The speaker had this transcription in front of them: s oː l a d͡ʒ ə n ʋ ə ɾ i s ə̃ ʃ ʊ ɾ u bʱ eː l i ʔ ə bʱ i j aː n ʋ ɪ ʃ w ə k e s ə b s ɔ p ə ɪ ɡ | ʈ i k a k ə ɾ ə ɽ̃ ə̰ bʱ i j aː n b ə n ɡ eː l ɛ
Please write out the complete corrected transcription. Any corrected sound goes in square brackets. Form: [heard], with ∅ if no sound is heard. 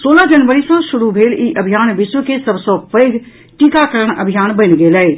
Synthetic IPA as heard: s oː l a d͡ʒ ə n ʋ ə ɾ i s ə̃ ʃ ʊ ɾ u bʱ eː l i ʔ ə bʱ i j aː n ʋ ɪ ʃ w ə k e s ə b s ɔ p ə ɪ ɡ | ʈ i k a k ə ɾ ə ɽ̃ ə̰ bʱ i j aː n b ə n ɡ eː l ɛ